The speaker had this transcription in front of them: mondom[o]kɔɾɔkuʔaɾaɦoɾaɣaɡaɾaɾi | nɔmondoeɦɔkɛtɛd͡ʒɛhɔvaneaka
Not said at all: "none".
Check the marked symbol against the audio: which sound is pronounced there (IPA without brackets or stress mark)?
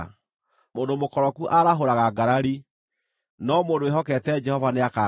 o